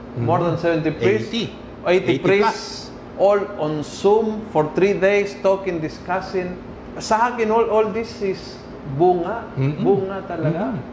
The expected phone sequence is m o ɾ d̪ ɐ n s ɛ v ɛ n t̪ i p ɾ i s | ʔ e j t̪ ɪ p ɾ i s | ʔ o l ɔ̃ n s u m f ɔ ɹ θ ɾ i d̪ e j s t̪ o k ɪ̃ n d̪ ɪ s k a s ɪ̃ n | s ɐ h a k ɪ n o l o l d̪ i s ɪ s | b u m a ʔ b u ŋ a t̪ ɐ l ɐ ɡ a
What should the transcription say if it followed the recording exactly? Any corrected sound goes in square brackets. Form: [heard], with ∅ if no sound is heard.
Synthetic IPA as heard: m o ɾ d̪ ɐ n s ɛ v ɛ n t̪ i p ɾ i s | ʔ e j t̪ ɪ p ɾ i s | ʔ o l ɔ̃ n s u m f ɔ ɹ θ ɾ i d̪ e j s t̪ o k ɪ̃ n d̪ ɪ s k a s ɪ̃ n | s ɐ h a k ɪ n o l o l d̪ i s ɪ s | b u [ŋ] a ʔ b u ŋ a t̪ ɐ l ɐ ɡ a